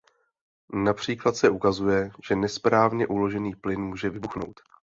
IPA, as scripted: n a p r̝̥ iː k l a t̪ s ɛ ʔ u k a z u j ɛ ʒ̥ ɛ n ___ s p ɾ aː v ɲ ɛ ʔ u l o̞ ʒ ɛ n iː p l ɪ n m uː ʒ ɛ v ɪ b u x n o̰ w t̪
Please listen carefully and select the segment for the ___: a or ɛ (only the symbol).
ɛ